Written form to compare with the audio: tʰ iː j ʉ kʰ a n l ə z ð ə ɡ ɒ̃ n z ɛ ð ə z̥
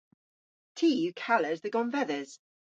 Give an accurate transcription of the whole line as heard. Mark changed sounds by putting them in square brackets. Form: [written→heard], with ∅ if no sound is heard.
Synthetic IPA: tʰ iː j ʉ kʰ a [n→∅] l ə z ð ə ɡ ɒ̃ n [z→v] ɛ ð ə z̥